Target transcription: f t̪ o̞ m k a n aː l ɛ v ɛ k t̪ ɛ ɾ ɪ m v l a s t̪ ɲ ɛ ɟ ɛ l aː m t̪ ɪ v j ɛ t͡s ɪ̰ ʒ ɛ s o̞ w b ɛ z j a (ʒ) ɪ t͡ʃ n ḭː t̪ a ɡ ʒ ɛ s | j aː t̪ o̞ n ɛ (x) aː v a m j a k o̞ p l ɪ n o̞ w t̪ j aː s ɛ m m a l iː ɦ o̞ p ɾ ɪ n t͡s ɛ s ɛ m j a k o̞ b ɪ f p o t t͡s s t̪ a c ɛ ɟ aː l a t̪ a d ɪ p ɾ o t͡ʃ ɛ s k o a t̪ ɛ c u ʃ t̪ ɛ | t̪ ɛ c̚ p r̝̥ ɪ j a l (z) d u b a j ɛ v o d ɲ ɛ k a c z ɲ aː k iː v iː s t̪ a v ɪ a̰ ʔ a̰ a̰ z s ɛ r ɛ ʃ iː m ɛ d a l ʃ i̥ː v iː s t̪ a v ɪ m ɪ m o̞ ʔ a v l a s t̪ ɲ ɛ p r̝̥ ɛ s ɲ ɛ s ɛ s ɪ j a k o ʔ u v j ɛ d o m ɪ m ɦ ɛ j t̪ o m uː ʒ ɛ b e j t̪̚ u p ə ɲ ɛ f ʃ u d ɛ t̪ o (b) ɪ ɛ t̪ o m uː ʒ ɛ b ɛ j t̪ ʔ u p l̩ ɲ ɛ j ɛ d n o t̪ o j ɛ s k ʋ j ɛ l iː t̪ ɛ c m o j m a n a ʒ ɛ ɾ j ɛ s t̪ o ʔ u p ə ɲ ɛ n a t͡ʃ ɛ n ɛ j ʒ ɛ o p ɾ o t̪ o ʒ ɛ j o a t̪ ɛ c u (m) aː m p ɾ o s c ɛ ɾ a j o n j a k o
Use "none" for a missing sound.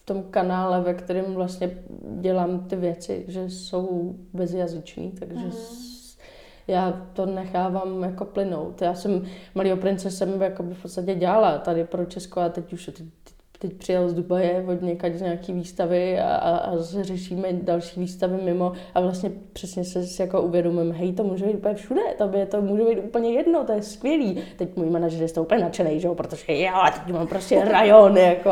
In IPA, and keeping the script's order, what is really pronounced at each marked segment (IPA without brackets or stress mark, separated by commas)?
z, x, z, b, m